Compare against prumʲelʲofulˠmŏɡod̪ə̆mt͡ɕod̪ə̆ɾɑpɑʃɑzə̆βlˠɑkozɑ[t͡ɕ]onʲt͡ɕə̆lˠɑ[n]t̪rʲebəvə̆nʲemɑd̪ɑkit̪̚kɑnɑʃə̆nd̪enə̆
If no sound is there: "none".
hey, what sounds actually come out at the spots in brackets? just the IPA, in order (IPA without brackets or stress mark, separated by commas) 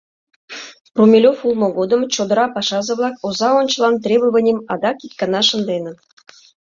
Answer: none, n